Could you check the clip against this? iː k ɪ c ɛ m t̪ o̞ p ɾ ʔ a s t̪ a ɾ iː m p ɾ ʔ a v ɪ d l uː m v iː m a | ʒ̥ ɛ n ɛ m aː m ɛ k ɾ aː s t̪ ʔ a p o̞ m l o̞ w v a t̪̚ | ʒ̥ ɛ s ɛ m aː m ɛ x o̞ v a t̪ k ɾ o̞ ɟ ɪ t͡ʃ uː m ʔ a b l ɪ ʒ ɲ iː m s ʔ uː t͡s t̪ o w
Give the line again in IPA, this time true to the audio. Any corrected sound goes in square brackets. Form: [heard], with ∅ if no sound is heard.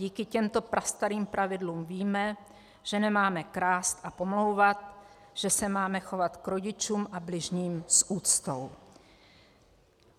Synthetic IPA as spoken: iː k ɪ c ɛ m t̪ o̞ p ɾ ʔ a s t̪ a ɾ iː m p ɾ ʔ a v ɪ d l uː m v iː m [ɛ] | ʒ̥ ɛ n ɛ m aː m ɛ k ɾ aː s t̪ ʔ a p o̞ m l o̞ w v a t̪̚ | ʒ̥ ɛ s ɛ m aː m ɛ x o̞ v a t̪ k ɾ o̞ ɟ ɪ t͡ʃ uː m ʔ a b l ɪ ʒ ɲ iː m s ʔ uː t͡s t̪ o w